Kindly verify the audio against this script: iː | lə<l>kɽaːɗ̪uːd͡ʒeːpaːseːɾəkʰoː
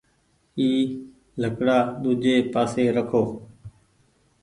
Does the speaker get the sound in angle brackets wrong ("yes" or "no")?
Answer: yes